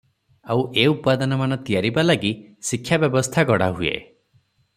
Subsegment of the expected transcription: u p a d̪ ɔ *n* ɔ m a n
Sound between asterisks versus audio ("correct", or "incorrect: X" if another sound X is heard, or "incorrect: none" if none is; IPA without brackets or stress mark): correct